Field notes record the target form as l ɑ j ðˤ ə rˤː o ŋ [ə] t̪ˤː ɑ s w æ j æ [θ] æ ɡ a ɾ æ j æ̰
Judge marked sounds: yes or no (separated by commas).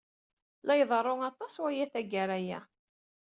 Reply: no, yes